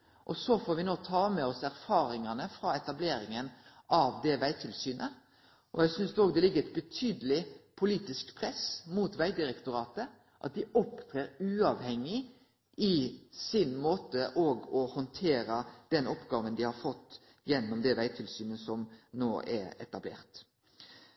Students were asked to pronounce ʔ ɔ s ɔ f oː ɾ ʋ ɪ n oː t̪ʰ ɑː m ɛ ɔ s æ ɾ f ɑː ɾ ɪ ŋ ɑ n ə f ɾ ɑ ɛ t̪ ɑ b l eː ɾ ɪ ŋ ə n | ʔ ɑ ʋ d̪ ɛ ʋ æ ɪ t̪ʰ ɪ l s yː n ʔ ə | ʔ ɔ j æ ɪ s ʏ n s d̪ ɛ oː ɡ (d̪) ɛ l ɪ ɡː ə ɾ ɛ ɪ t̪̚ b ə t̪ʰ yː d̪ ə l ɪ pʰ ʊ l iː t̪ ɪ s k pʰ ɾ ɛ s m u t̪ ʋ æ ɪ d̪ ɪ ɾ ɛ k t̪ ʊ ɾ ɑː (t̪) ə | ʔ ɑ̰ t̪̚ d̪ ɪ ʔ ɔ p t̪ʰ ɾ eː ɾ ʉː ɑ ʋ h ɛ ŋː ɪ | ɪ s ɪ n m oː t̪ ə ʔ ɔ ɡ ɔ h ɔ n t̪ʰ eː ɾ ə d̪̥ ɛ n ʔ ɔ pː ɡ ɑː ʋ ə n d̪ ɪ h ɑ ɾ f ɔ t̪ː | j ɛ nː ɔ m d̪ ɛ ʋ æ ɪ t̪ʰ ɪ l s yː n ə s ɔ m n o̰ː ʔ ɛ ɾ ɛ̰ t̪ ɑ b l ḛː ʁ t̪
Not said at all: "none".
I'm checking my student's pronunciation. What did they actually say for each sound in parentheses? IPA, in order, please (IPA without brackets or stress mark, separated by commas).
d̪, t̪